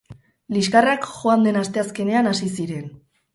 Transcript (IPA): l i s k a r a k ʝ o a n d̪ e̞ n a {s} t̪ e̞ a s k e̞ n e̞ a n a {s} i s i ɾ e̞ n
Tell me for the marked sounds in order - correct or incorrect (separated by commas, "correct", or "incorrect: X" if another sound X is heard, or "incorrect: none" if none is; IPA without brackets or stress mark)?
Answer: correct, correct